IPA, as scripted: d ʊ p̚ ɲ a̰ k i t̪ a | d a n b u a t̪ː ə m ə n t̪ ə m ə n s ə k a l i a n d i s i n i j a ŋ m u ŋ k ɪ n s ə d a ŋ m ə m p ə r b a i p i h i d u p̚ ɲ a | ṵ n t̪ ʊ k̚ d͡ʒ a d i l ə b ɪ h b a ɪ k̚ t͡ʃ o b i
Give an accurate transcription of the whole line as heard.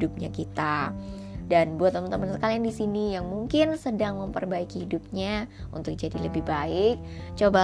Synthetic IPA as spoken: d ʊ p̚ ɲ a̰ k i t̪ a | d a n b u a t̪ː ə m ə n t̪ ə m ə n s ə k a l i a n d i s i n i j a ŋ m u ŋ k ɪ n s ə d a ŋ m ə m p ə r b a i k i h i d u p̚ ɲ a | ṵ n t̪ ʊ k̚ d͡ʒ a d i l ə b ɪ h b a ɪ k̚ t͡ʃ o b a